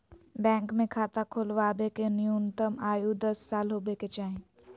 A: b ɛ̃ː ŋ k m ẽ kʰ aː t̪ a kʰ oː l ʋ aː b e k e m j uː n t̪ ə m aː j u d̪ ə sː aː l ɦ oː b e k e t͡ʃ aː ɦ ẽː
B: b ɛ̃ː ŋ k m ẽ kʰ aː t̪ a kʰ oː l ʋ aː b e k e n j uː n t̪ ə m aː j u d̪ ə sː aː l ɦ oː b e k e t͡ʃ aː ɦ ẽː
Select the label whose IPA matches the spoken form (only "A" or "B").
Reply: B